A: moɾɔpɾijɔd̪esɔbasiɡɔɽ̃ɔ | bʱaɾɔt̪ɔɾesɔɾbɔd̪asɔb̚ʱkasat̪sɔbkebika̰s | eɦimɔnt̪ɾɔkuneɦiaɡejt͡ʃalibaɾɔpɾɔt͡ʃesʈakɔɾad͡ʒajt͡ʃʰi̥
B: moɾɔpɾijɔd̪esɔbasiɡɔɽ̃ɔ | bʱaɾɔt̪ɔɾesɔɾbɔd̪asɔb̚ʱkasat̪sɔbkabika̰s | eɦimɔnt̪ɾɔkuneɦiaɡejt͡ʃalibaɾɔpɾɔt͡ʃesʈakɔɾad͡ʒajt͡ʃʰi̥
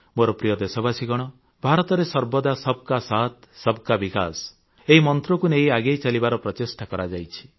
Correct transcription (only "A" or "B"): B